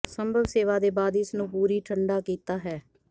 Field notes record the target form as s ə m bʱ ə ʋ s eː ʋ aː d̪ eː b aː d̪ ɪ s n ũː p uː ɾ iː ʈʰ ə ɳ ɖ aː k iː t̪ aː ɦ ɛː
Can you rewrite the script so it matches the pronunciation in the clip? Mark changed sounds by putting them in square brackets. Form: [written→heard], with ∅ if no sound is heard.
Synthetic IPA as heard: s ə m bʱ ə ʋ s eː ʋ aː d̪ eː b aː d̪ ɪ s n ũː p uː ɾ iː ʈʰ ə ɳ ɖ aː k iː t̪ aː ɦ ɛː